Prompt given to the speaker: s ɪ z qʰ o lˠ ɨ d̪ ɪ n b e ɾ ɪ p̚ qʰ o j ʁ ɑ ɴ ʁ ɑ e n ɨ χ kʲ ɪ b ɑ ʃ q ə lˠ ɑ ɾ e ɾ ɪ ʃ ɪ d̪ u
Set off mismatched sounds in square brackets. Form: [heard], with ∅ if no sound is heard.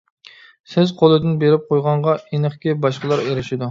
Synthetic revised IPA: s ɪ z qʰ o lˠ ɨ d̪ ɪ n b e ɾ ɪ p̚ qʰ o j ʁ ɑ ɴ ʁ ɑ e n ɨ χ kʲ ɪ b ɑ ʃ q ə lˠ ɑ ɾ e ɾ ɪ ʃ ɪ d̪ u